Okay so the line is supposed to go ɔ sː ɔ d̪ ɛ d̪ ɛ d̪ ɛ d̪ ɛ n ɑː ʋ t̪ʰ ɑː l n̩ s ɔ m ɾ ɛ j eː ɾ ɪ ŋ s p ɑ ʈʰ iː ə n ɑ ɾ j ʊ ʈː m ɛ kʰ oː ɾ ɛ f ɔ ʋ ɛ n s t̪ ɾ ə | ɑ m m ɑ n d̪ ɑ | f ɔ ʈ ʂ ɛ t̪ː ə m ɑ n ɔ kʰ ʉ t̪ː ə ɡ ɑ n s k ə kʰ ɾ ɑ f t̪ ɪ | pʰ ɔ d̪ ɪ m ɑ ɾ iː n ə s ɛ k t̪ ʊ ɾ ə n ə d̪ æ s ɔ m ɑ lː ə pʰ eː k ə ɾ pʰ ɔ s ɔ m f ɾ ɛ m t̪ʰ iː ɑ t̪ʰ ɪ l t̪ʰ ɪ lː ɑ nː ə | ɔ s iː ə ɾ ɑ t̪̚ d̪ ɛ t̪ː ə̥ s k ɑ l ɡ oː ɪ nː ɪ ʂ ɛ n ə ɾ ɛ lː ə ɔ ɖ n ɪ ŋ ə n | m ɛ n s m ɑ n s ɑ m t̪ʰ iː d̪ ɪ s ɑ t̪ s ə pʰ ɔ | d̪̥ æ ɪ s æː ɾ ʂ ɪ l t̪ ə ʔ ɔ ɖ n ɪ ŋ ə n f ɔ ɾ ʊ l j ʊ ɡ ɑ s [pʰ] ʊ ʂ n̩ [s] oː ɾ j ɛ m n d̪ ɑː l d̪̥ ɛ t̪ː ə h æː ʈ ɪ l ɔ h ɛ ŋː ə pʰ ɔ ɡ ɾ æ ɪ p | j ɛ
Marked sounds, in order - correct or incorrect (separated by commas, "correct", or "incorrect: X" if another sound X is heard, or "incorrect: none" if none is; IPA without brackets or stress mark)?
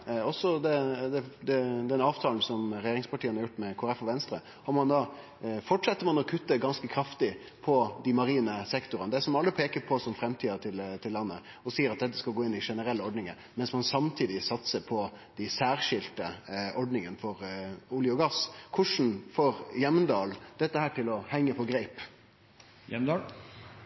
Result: incorrect: kʰ, incorrect: f